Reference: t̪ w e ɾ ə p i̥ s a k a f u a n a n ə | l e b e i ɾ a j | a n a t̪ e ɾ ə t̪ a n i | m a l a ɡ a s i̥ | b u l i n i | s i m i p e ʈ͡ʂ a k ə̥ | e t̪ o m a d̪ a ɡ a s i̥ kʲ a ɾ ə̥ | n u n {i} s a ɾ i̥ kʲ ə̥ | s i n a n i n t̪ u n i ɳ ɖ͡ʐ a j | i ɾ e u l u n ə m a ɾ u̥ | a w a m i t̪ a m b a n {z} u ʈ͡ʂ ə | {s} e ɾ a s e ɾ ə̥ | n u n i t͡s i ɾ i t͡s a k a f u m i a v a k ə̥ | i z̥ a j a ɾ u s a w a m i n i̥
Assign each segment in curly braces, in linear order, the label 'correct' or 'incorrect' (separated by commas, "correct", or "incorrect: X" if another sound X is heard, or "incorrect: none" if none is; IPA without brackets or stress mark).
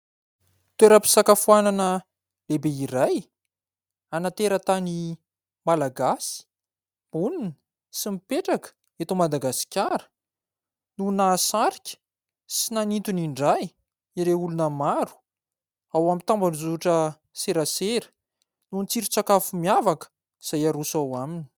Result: incorrect: a, correct, correct